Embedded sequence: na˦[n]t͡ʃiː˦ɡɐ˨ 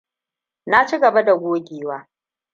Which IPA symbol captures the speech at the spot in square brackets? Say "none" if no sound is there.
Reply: none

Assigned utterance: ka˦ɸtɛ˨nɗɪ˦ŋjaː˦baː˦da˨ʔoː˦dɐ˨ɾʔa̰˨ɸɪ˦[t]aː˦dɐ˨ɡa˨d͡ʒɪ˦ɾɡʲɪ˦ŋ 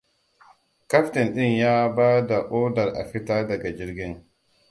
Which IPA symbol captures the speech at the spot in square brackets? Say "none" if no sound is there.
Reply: t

